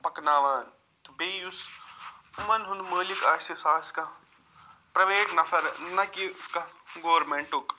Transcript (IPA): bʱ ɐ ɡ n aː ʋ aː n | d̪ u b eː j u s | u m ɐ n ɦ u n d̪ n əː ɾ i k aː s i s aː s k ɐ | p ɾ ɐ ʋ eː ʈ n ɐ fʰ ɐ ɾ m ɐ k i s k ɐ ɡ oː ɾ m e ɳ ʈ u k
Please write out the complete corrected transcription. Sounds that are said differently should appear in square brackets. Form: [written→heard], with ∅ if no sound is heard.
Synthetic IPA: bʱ ɐ [ɡ→k] n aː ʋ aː n | [d̪→t̪] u b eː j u s | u m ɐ n ɦ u n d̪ [n→m] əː [ɾ→l] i k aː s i s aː s k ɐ | p ɾ ɐ ʋ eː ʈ n ɐ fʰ ɐ ɾ [m→n] ɐ k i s k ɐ ɡ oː ɾ m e ɳ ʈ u k